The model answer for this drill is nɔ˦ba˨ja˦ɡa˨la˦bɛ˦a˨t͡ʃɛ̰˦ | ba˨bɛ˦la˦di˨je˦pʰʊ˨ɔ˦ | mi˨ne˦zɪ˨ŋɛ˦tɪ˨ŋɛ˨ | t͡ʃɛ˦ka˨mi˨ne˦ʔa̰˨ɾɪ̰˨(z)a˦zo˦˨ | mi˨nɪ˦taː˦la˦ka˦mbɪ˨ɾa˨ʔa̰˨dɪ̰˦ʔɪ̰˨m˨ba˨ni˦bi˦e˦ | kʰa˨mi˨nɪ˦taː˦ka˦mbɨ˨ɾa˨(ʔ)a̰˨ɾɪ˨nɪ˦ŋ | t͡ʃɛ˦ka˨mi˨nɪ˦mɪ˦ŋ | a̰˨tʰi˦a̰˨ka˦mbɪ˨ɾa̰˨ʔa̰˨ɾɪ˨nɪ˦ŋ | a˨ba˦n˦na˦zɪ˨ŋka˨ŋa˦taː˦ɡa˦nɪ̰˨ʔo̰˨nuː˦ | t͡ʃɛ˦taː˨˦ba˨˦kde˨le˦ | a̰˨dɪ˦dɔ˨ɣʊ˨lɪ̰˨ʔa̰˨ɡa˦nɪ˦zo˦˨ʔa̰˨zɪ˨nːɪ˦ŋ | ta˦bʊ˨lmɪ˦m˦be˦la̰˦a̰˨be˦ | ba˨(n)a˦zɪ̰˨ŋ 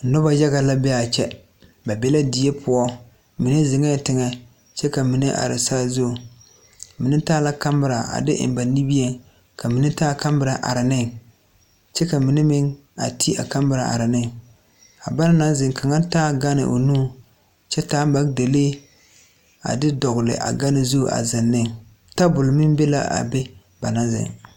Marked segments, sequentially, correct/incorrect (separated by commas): incorrect, correct, correct